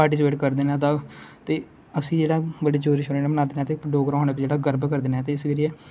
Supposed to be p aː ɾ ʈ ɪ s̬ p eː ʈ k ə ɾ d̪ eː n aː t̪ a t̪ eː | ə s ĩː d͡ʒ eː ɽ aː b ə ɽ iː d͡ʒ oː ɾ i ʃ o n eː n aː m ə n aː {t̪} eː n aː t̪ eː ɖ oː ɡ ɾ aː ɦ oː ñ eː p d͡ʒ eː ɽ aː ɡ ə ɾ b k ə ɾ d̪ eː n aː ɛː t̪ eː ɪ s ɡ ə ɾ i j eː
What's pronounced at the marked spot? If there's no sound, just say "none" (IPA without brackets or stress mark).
d̪